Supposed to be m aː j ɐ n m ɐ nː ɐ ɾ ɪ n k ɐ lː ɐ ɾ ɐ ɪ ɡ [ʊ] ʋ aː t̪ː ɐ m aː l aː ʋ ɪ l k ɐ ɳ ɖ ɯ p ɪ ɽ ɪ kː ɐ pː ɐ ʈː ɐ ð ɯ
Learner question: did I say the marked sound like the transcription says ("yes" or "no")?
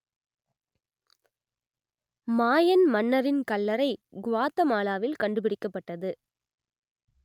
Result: yes